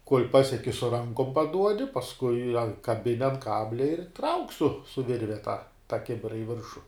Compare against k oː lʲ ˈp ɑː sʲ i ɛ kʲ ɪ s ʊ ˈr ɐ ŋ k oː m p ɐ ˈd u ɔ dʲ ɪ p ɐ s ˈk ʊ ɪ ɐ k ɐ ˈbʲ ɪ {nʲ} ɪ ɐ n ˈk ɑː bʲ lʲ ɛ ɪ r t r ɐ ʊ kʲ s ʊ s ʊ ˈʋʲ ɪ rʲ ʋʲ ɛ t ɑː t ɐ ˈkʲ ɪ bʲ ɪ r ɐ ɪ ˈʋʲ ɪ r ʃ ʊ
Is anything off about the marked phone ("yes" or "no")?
no